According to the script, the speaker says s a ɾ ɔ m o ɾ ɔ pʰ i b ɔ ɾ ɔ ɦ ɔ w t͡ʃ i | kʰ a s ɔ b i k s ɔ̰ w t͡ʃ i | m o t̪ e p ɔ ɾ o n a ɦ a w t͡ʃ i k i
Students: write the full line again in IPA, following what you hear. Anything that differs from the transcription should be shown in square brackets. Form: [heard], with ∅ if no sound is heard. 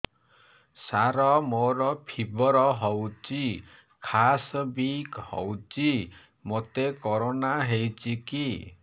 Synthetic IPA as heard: s a ɾ ɔ m o ɾ ɔ pʰ i b ɔ ɾ ɔ ɦ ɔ w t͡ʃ i | kʰ a s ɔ b i k [h] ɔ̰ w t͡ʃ i | m o t̪ e [k] ɔ ɾ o n a ɦ [e] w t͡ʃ i k i